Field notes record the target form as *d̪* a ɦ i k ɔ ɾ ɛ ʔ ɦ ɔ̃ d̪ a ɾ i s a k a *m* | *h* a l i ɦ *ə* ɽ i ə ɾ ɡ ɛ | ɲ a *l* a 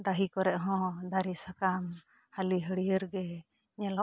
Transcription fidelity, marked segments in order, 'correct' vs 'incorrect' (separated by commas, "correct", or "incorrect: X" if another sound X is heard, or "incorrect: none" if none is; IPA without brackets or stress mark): correct, correct, correct, correct, correct